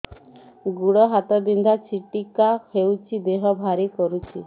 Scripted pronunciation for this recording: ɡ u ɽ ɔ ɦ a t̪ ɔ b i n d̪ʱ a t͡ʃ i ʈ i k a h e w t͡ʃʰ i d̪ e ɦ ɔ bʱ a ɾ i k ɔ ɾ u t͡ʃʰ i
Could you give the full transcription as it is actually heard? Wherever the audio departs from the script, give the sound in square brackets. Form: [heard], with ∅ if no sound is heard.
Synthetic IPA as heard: ɡ u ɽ ɔ ɦ a t̪ ɔ b i n d̪ʱ a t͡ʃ i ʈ i k a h e w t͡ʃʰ i d̪ e ɦ ɔ bʱ a ɾ i k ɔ ɾ u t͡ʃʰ i

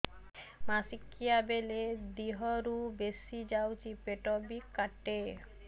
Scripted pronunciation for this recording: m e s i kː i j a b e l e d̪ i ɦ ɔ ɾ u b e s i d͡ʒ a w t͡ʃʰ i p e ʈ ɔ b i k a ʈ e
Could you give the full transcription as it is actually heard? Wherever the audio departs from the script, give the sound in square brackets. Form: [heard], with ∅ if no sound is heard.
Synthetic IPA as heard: m [a] s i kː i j a b e l e d̪ i ɦ ɔ ɾ u b e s i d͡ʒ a w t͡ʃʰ i p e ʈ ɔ b i k a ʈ e

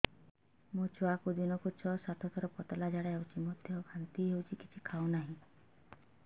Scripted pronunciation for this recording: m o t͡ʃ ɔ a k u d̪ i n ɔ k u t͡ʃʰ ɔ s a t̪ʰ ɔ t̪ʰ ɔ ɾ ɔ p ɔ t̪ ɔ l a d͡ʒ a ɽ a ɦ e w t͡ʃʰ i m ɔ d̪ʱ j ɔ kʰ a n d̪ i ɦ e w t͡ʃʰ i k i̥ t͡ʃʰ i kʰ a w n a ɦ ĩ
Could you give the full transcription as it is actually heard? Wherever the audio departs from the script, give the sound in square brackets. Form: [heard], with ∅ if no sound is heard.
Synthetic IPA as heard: m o t͡ʃ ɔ a k u d̪ i n ɔ k u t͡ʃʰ ɔ s a t̪ʰ ɔ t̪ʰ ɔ ɾ ɔ p ɔ t̪ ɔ l a d͡ʒ a ɽ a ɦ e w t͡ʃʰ i m ɔ d̪ʱ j ɔ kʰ a n [t̪] i ɦ e w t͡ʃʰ i k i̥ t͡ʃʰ i kʰ a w n a ɦ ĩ

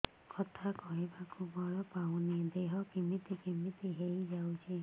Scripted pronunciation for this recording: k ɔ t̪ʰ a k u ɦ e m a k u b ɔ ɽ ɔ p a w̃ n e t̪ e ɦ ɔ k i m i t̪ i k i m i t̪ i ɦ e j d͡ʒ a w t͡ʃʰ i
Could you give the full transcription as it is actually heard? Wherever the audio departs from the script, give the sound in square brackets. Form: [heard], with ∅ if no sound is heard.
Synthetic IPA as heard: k ɔ t̪ʰ a k [ɔ] ɦ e [b] a k u b ɔ [ɭ] ɔ p a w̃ n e [d̪] e ɦ ɔ k i m i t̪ i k i m i t̪ i ɦ e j d͡ʒ a w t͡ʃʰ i

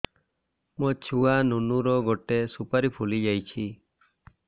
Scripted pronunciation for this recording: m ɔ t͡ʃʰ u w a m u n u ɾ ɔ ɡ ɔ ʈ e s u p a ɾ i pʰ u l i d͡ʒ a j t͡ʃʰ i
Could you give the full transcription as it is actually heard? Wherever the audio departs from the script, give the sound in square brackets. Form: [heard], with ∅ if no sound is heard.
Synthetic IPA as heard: m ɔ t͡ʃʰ u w a [n] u n u ɾ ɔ ɡ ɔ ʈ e s u p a ɾ i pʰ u l i d͡ʒ a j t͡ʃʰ i

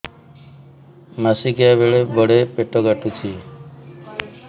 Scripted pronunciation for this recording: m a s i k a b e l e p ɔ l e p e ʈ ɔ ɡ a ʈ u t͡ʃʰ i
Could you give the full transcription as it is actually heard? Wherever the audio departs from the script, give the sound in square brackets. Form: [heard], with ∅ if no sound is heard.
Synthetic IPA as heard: m a s i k a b e [ɭ] e [b] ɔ [ɽ] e p e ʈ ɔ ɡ a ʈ u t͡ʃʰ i

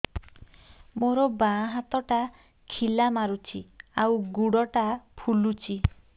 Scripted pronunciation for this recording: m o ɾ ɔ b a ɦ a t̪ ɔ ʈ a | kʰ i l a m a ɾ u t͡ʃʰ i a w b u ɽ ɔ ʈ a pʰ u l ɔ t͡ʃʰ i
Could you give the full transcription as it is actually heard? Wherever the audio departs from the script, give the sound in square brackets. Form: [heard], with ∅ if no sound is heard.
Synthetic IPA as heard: m o ɾ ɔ b a ɦ a t̪ ɔ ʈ a | kʰ i l a m a ɾ u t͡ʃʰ i a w [ɡ] u ɽ ɔ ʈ a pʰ u l [u] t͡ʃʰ i

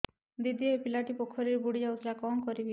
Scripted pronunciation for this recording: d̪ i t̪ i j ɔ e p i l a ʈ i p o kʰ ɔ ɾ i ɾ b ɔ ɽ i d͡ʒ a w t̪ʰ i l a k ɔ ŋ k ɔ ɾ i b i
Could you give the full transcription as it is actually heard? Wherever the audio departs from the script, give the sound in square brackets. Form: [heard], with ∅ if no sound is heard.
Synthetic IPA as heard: d̪ i [d̪] i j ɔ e p i l a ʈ i p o kʰ ɔ ɾ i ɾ b [u] ɽ i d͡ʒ a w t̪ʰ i l a k ɔ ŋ k ɔ ɾ i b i

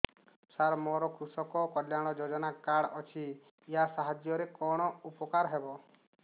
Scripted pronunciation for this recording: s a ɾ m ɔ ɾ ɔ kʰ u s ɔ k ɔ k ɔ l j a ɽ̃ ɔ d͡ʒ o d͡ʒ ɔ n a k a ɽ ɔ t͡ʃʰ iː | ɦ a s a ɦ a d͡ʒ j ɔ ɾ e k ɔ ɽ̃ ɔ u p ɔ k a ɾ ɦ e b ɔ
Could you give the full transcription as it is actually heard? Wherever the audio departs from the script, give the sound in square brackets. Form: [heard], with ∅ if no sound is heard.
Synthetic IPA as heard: s a ɾ m ɔ ɾ ɔ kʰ u s ɔ k ɔ k ɔ l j a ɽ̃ ɔ d͡ʒ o d͡ʒ ɔ n a k a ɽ ɔ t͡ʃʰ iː | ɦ a s a ɦ a d͡ʒ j ɔ ɾ e k ɔ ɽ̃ ɔ u p ɔ k a ɾ ɦ e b ɔ

